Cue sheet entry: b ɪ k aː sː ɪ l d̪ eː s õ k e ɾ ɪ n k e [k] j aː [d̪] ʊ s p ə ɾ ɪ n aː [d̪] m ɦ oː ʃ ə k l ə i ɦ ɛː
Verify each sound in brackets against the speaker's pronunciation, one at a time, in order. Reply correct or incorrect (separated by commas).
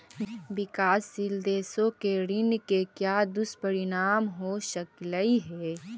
correct, correct, incorrect